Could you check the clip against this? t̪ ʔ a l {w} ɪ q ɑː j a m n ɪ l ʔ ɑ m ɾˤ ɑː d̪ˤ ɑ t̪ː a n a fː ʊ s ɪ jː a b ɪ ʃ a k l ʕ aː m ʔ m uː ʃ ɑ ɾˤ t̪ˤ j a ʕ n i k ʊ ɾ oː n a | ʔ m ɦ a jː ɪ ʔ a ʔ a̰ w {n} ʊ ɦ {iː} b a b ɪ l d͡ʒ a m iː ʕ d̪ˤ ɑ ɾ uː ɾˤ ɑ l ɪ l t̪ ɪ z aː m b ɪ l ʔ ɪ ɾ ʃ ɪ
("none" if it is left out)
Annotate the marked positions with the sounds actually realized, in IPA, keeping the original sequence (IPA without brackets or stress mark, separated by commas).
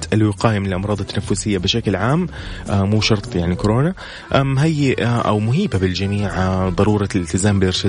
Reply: w, m, iː